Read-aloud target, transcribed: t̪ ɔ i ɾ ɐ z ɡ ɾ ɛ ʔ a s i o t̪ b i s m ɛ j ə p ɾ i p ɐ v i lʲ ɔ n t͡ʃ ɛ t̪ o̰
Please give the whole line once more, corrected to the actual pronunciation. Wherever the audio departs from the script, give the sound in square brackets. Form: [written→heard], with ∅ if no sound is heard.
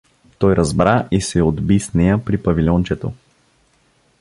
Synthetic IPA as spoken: t̪ ɔ [i→j] ɾ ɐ z [ɡ→b] ɾ [ɛ→a] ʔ [a→i] s [i→ɛ] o [t̪→d̪] b i s [m→n] ɛ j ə p ɾ i p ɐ v i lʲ ɔ n t͡ʃ ɛ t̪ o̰